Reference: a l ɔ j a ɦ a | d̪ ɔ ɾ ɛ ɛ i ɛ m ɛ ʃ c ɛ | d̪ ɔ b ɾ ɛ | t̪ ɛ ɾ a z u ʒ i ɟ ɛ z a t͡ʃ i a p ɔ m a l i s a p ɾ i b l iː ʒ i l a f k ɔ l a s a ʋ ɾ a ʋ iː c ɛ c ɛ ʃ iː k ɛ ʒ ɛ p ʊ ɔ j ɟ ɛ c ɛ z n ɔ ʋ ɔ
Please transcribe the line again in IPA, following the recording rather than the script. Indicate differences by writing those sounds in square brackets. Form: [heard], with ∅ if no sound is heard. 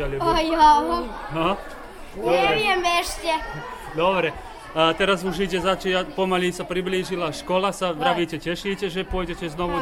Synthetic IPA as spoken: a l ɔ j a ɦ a | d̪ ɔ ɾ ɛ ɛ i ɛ m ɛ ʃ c ɛ | d̪ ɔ b ɾ ɛ | t̪ ɛ ɾ a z u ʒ i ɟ ɛ z a t͡ʃ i a p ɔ m a l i s a p ɾ i b l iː ʒ i l a [ʃ] k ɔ l a s a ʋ ɾ a ʋ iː c ɛ c ɛ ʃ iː [c] ɛ ʒ ɛ p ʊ ɔ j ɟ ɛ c ɛ z n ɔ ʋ [u]